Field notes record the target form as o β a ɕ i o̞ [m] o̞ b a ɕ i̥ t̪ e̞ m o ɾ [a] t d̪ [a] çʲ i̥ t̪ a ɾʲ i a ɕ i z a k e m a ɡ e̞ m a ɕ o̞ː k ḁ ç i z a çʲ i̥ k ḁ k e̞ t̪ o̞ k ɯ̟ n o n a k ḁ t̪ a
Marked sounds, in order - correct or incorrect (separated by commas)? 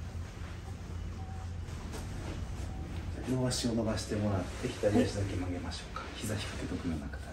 incorrect, correct, incorrect